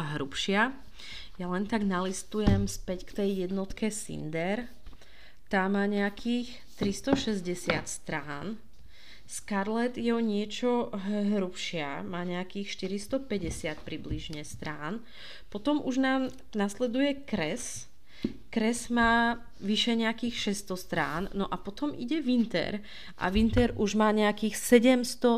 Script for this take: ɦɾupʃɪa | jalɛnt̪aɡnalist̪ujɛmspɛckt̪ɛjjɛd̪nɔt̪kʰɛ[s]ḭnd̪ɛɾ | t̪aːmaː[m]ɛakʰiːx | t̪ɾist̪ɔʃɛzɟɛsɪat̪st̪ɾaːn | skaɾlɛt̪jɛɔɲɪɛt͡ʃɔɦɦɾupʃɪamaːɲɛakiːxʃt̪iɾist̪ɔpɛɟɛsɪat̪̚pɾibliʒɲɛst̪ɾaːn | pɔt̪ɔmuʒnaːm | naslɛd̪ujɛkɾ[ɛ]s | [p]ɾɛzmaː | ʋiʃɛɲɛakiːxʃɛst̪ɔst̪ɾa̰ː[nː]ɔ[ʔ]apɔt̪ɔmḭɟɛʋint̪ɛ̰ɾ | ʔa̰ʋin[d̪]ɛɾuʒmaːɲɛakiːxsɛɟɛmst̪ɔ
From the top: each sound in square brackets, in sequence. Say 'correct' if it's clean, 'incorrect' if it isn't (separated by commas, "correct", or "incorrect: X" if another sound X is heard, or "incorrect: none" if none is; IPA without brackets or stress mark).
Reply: correct, incorrect: ɲ, correct, incorrect: k, correct, correct, incorrect: t̪